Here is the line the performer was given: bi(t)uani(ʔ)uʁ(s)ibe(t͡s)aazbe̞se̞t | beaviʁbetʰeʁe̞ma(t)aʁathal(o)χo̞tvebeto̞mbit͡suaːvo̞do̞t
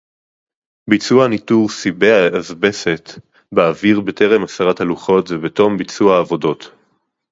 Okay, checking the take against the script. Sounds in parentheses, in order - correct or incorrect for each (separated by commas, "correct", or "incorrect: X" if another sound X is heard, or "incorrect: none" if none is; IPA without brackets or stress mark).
incorrect: t͡s, incorrect: t, correct, incorrect: none, incorrect: s, incorrect: u